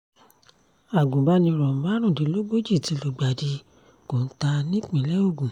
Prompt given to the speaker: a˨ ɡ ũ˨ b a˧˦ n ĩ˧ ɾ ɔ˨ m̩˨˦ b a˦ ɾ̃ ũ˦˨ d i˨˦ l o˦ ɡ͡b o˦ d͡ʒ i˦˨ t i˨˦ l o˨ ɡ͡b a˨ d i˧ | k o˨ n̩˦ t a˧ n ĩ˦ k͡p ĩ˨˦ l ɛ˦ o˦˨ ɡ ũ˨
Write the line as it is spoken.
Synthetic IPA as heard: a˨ ɡ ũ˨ b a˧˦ n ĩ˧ ɾ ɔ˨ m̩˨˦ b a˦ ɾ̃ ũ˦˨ d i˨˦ l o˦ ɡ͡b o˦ d͡ʒ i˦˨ t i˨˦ l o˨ ɡ͡b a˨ d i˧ | k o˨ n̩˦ t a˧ n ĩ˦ k͡p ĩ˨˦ l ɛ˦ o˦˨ ɡ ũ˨